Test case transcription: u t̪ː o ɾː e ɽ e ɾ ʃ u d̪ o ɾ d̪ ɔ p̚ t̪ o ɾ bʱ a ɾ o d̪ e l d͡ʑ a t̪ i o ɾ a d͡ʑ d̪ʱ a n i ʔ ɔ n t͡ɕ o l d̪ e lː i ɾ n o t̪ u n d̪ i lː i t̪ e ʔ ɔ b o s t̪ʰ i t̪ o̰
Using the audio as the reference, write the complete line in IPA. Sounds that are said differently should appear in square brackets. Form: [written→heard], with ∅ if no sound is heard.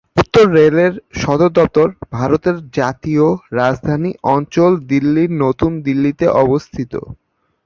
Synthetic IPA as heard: u t̪ː o ɾː e [ɽ→l] e ɾ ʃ [u→ɔ] d̪ o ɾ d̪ ɔ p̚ t̪ o ɾ bʱ a ɾ o [d̪→t̪] e [l→ɾ] d͡ʑ a t̪ i o ɾ a d͡ʑ d̪ʱ a n i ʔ ɔ n t͡ɕ o l d̪ [e→i] lː i ɾ n o t̪ u n d̪ i lː i t̪ e ʔ ɔ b o s t̪ʰ i t̪ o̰